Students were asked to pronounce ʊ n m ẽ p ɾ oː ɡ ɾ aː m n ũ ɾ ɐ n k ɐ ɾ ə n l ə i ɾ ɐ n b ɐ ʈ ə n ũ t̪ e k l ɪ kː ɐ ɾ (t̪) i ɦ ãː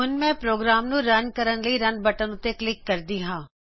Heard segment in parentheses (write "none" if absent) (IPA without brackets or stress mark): d̪